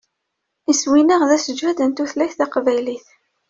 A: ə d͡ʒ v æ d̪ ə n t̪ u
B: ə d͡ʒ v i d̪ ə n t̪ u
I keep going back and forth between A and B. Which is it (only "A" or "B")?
A